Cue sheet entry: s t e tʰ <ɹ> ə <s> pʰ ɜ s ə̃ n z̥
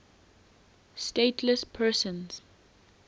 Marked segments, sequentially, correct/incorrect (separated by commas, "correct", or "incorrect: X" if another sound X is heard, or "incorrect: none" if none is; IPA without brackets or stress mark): incorrect: l, correct